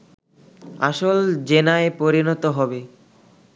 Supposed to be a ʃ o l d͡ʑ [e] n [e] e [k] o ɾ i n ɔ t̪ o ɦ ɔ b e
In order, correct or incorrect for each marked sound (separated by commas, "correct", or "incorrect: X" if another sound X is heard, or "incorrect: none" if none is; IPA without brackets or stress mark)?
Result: correct, incorrect: a, incorrect: p